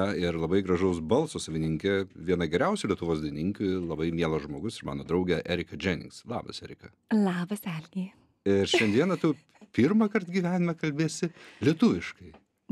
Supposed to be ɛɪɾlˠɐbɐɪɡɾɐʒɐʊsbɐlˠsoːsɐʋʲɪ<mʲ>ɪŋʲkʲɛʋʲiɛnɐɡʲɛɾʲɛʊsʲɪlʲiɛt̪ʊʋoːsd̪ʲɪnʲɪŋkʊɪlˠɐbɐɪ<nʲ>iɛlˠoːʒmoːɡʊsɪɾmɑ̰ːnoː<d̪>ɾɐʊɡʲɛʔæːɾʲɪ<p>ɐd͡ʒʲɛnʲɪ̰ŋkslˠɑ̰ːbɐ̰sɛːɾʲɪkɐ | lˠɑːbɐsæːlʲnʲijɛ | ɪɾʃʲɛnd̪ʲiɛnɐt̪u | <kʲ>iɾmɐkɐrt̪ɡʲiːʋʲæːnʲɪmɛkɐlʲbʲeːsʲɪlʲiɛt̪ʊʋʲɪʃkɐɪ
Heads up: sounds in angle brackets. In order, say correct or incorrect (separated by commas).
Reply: incorrect, incorrect, correct, incorrect, incorrect